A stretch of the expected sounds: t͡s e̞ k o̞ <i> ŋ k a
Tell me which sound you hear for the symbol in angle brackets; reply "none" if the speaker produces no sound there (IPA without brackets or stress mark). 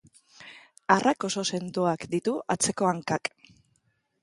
a